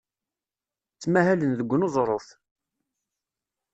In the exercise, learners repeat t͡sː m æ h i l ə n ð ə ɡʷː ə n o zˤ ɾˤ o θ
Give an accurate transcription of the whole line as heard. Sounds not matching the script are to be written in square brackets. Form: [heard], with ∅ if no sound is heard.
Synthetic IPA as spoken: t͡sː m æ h [æ] l ə n ð ə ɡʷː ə n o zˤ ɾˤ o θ